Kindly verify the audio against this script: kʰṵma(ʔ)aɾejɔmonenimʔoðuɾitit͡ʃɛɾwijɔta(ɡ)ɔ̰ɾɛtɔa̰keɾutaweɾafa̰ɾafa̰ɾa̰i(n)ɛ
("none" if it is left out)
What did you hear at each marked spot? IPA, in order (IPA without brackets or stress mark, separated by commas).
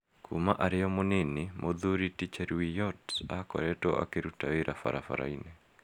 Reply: ʔ, k, n